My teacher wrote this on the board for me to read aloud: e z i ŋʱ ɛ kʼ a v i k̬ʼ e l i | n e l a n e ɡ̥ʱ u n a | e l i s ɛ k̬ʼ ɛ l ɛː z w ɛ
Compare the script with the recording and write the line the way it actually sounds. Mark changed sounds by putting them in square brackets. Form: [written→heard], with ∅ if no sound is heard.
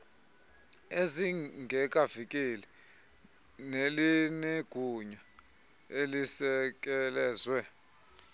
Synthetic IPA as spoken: e z i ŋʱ ɛ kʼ a v i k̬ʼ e l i | n e l [a→i] n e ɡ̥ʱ u [n→ɲ] a | e l i s ɛ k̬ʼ ɛ l ɛː z w ɛ